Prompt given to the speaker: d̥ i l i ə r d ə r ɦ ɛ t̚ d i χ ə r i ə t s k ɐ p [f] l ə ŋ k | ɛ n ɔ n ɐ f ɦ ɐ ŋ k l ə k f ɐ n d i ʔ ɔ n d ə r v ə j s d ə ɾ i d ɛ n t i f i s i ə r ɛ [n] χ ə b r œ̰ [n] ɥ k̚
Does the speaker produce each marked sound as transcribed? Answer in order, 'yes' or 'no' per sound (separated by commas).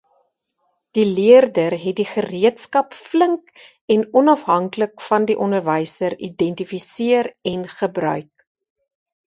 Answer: yes, yes, no